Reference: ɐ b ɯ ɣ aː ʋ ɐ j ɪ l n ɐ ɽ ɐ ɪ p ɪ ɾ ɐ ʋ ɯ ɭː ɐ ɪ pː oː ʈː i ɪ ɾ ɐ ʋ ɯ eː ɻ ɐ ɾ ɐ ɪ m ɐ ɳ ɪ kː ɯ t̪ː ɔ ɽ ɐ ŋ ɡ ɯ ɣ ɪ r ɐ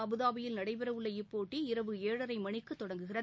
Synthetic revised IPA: ɐ b ɯ ð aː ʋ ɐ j ɪ l n ɐ ɽ ɐ ɪ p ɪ ɾ ɐ ʋ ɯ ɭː ɐ ɪ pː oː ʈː i ɪ ɾ ɐ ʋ ɯ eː ɻ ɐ ɾ ɐ ɪ m ɐ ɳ ɪ kː ɯ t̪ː ɔ ɽ ɐ ŋ ɡ ɯ ɣ ɪ r ɐ